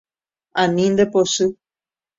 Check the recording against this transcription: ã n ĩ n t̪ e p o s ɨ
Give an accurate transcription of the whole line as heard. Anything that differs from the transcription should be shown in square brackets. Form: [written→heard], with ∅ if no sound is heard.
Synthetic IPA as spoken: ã n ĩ n [t̪→d̪] e p o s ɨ